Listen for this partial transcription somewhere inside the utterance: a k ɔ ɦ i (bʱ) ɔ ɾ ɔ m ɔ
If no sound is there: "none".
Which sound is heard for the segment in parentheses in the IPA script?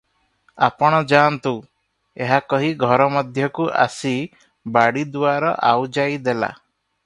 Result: ɡʱ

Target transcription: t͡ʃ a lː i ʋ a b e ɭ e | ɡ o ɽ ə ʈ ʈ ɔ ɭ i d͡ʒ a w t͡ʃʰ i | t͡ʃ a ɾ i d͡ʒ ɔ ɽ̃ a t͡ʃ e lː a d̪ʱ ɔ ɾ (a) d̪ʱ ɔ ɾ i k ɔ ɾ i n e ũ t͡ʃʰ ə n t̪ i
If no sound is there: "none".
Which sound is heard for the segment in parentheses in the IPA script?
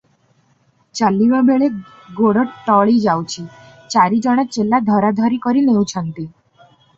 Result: a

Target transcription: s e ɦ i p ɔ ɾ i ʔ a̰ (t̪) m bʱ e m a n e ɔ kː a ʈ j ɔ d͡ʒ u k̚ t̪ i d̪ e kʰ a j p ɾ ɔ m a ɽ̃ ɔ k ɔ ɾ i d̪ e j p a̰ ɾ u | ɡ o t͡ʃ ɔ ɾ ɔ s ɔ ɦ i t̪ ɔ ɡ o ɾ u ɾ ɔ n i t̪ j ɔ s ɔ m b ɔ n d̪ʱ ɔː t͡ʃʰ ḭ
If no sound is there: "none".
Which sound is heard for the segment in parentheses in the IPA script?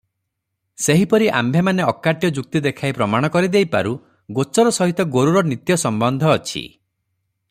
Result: none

